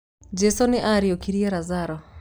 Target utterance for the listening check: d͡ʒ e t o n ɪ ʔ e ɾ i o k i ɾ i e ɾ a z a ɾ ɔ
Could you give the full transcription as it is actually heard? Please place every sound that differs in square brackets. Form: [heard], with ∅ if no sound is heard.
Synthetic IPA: d͡ʒ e [s] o n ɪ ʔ [a] ɾ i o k i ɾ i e ɾ a z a ɾ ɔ

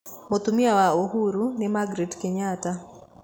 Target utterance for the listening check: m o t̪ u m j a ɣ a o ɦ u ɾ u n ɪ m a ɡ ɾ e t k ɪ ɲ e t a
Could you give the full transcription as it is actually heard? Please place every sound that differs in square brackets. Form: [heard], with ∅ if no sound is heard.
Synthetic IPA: m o t̪ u m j a [w] a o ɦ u ɾ u n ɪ m a ɡ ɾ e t k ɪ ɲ [a] t a

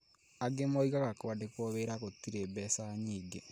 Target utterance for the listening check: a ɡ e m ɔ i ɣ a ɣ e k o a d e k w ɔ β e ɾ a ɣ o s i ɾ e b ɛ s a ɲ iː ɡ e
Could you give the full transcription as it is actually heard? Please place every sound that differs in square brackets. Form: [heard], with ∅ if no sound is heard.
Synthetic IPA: a ɡ e m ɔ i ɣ a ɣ [a] k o a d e k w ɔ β e ɾ a ɣ o [t] i ɾ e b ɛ s a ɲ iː ɡ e

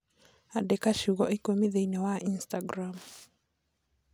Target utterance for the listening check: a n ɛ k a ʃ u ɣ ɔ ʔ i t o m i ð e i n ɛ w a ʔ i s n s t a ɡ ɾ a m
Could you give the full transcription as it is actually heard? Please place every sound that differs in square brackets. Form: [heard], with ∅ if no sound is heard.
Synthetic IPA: a [d] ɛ k a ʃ u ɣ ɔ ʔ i [k] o m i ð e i n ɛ w a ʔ i [∅] n s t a ɡ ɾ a m

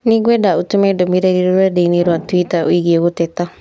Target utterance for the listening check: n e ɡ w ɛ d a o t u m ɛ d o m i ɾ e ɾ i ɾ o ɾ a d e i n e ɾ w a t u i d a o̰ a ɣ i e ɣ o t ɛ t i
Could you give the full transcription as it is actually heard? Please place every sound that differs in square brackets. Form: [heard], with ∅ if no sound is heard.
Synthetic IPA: n [i] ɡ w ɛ d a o t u m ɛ d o m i ɾ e ɾ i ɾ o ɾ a d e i n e ɾ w a t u i [t] a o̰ [i] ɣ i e ɣ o t ɛ t [a]

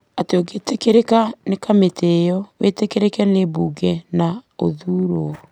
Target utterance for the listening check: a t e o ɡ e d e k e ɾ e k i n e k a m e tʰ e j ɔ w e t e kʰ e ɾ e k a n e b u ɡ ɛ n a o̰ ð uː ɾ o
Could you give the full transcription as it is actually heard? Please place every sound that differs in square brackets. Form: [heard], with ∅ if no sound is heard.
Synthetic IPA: a t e o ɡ e [t] e k e ɾ e k [a] n e k a m e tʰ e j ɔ w e t e [k] e ɾ e k [ɛ] n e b u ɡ ɛ n a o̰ ð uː ɾ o

